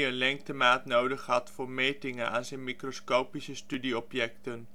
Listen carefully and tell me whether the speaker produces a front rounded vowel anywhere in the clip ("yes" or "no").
yes